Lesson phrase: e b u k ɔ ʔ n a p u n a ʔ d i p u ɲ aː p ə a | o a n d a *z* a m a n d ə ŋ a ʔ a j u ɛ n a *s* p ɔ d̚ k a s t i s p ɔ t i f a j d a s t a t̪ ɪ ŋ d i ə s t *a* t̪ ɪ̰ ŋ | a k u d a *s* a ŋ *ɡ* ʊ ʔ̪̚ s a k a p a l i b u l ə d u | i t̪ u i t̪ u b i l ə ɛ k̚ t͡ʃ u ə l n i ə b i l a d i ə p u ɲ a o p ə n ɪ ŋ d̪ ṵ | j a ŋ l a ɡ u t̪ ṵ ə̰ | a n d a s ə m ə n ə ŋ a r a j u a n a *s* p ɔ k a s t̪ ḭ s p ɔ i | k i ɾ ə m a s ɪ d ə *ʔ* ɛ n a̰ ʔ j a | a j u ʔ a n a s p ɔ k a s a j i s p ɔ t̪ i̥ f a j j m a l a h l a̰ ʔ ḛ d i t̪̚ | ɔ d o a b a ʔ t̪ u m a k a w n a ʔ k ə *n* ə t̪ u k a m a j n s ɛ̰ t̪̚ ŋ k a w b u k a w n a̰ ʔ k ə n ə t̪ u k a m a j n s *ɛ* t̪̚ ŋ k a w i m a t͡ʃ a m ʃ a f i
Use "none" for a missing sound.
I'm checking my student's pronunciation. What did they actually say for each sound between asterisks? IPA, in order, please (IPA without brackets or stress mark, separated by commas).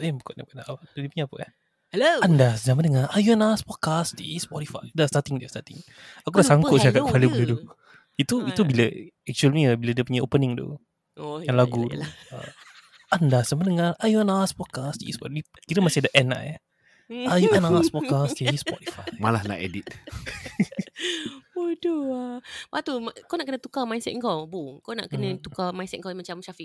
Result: z, s, a, s, k, s, ʔ, n, ɛ